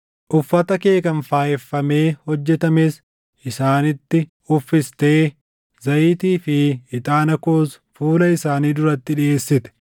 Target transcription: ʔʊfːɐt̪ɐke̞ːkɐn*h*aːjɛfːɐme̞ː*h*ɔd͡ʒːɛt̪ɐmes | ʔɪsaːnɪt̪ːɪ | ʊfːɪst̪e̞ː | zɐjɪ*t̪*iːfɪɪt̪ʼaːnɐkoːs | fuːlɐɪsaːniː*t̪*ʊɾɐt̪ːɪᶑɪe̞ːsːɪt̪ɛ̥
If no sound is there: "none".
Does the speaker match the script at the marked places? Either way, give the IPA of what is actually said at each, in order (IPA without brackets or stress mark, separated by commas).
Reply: f, h, t̪, d̪